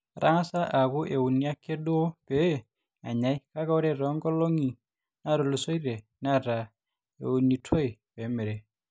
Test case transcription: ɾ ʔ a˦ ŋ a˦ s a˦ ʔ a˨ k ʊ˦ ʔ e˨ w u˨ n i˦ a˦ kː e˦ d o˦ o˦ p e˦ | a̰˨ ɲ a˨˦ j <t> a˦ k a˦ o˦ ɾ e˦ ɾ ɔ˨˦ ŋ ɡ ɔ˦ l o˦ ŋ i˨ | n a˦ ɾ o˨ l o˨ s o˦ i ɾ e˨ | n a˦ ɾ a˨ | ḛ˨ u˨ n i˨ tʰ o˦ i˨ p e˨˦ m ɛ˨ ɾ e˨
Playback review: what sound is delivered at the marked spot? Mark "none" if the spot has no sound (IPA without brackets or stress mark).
k